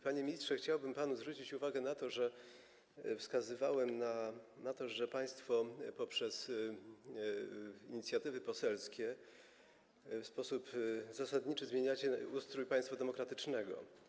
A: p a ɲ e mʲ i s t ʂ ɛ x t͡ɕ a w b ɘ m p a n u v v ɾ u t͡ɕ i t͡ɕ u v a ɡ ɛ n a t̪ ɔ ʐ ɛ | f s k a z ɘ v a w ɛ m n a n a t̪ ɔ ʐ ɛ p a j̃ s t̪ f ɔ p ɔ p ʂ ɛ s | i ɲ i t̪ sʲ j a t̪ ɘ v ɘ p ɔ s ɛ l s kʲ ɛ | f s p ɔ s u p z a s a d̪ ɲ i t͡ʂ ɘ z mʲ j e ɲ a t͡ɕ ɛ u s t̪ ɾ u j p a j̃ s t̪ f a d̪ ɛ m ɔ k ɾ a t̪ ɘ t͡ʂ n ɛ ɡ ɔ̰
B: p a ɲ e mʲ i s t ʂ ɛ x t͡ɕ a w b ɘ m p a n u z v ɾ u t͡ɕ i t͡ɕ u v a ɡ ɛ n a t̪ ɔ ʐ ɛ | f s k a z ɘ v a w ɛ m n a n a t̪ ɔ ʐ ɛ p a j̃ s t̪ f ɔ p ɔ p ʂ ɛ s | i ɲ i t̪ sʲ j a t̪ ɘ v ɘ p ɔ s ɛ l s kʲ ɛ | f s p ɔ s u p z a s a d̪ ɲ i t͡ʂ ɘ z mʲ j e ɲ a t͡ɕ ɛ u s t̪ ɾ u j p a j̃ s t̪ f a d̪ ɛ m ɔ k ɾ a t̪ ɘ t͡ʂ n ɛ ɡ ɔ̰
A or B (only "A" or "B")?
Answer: B